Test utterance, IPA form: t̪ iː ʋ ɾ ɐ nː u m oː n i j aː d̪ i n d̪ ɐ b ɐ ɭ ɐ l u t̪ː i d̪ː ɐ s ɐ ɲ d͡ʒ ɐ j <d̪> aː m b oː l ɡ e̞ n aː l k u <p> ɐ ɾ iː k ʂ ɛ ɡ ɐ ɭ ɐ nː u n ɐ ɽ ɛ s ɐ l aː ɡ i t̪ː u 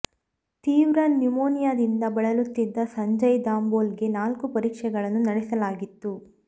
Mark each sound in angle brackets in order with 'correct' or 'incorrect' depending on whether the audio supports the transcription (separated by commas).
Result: correct, correct